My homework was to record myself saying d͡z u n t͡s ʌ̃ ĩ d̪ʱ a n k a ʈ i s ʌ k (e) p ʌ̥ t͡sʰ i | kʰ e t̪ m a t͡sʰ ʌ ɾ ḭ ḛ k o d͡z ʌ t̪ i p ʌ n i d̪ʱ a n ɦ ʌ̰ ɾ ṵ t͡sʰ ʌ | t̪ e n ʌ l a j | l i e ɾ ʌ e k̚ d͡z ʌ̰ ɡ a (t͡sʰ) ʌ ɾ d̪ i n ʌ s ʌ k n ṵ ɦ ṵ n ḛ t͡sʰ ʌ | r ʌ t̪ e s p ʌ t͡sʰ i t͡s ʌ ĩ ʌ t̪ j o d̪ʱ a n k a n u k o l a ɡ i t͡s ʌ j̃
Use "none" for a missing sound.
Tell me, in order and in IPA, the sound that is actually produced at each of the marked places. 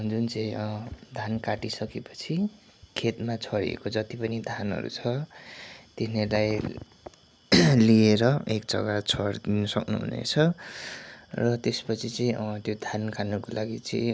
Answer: e, t͡sʰ

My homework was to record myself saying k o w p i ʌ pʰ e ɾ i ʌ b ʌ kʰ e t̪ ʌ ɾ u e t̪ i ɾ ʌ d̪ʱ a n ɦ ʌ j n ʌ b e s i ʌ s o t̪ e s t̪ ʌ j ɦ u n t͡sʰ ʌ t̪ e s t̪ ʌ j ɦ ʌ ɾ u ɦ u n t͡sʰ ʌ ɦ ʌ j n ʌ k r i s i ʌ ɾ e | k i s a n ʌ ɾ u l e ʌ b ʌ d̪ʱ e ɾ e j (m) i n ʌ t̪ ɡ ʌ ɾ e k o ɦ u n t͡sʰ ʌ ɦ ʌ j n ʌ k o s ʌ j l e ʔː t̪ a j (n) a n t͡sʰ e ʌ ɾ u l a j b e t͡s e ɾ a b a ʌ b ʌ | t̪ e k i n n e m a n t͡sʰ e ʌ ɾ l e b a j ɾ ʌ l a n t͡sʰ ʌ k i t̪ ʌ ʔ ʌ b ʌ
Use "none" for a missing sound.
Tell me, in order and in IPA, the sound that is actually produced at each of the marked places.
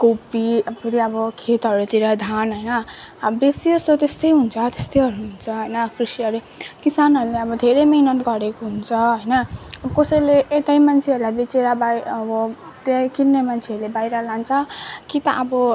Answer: m, m

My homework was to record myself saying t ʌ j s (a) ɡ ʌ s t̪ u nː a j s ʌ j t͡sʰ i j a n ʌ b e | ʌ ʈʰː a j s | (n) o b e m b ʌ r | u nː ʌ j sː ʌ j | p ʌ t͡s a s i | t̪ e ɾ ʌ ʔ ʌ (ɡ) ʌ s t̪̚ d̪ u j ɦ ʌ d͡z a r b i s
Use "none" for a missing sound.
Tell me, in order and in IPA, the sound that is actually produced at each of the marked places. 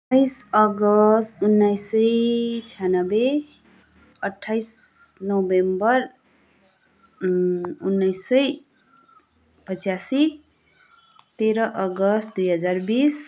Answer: ʌ, n, ɡ

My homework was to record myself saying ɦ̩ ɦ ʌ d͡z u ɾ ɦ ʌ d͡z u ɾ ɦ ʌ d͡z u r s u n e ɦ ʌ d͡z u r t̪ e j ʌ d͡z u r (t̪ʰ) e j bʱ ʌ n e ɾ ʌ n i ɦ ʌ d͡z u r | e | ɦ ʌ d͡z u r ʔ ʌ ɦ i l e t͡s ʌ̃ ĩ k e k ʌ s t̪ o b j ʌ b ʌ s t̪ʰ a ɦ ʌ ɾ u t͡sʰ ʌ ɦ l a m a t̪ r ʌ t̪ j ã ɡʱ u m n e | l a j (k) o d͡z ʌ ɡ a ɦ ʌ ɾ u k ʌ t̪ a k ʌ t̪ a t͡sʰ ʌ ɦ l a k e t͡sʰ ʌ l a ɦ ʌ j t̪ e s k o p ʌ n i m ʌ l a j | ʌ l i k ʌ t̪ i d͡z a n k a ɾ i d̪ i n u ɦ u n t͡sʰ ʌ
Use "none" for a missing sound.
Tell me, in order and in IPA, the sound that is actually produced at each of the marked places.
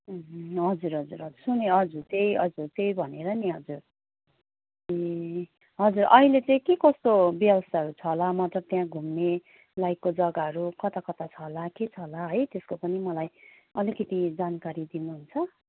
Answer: t̪, k

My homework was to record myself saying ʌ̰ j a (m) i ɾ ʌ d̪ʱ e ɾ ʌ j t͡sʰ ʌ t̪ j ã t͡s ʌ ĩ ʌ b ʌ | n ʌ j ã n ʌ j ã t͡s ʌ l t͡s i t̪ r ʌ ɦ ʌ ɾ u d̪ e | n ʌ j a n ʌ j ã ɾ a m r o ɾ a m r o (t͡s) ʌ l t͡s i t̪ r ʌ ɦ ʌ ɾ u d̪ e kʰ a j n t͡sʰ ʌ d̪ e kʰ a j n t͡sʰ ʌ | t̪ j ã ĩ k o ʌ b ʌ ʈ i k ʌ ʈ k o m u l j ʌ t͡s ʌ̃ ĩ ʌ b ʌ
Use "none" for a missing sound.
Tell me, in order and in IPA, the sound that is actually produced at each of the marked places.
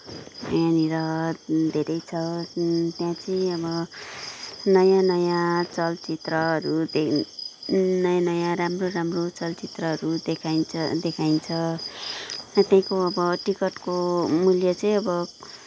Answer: n, t͡s

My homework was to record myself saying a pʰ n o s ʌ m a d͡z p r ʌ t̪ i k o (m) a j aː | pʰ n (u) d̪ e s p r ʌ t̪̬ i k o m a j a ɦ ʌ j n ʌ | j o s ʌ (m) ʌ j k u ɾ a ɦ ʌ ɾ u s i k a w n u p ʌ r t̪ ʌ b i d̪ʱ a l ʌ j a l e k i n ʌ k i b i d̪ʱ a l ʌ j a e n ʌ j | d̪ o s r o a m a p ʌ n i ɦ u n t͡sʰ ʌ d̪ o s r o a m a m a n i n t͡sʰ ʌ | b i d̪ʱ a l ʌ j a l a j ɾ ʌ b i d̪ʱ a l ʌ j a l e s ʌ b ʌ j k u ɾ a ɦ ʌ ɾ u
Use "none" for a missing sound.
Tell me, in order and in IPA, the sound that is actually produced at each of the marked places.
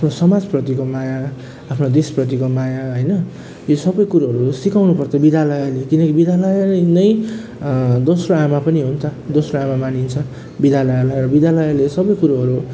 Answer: m, o, b

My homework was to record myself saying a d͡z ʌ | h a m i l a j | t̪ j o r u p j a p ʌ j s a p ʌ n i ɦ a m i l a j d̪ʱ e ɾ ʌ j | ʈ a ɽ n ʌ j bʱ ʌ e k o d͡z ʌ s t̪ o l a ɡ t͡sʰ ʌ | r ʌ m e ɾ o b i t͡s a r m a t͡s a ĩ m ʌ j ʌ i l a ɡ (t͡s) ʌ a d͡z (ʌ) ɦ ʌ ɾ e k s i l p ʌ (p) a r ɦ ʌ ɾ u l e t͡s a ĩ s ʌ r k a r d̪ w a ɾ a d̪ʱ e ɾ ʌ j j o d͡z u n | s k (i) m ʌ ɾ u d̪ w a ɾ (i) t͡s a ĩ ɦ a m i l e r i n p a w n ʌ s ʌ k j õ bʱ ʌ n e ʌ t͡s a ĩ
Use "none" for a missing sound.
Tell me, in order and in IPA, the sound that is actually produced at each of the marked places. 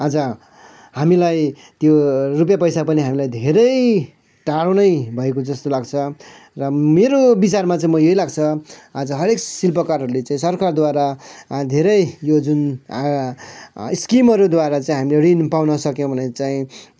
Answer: t͡sʰ, ʌ, k, i, a

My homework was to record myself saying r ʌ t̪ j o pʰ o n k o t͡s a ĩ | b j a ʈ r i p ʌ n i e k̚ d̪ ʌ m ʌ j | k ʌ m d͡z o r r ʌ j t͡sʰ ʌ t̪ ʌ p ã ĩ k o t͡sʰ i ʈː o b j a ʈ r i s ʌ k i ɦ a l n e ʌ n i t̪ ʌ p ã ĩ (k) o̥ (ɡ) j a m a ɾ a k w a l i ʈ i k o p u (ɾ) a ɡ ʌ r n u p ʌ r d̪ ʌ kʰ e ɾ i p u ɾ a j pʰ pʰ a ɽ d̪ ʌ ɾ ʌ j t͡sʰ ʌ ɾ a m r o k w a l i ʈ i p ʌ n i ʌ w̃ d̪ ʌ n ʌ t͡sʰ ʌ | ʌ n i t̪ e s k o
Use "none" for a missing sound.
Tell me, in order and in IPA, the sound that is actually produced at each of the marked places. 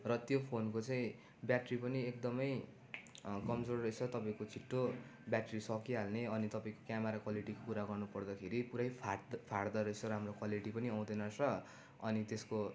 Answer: k, k, ɾ

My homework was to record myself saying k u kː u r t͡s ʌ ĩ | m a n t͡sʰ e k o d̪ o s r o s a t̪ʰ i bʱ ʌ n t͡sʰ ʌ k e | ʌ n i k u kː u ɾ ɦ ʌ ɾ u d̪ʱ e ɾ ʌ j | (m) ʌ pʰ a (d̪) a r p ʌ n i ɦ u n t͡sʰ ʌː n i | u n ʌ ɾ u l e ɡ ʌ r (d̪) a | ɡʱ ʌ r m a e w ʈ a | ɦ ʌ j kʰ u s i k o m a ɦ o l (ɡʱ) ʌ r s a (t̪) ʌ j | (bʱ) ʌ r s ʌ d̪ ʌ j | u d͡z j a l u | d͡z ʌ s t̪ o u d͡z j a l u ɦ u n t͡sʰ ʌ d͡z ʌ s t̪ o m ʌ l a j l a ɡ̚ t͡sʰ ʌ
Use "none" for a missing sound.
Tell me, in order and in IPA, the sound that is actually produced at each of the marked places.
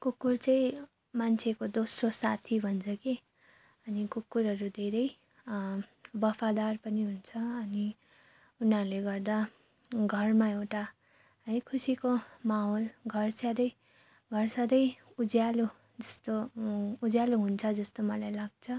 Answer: b, d̪, d̪, ɡʱ, d̪, ɡʱ

